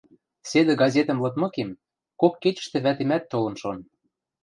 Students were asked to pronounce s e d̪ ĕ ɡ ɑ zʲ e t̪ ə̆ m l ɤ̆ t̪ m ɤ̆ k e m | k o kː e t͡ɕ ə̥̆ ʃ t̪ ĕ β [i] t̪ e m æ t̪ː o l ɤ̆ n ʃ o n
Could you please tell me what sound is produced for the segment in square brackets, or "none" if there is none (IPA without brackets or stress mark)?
æ